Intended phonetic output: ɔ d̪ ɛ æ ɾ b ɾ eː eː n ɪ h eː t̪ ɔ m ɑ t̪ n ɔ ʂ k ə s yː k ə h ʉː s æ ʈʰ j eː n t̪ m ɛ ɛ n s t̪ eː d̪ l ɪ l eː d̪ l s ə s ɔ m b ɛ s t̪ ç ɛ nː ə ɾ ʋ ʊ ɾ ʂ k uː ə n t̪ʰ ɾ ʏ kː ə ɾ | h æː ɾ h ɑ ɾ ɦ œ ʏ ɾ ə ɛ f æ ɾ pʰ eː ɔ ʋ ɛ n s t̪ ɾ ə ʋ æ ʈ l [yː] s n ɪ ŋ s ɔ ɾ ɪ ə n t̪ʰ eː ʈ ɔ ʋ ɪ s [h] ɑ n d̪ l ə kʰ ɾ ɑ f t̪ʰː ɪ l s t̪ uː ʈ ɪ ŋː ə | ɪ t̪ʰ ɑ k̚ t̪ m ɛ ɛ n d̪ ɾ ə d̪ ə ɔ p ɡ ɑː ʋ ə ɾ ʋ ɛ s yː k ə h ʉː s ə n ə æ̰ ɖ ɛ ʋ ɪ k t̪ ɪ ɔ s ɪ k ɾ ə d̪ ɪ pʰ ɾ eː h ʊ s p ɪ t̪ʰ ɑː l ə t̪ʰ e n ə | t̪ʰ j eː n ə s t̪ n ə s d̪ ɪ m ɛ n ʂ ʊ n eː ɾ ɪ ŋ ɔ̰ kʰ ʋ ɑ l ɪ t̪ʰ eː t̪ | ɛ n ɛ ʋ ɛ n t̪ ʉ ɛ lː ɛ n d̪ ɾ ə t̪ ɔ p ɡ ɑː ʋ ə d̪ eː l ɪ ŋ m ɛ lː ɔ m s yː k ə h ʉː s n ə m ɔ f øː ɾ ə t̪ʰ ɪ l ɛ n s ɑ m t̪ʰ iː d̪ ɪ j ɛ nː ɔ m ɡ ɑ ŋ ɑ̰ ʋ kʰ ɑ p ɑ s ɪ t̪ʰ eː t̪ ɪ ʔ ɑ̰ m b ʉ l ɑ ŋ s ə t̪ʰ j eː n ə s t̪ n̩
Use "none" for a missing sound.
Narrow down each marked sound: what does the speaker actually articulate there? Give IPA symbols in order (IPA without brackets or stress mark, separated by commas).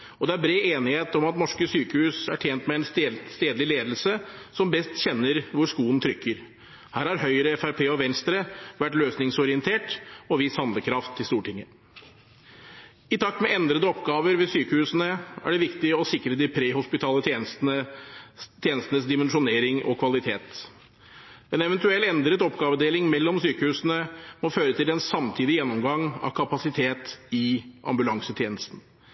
øː, h